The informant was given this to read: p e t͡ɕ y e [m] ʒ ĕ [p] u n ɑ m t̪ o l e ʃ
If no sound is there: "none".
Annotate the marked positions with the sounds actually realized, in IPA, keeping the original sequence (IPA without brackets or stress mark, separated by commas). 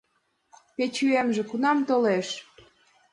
m, k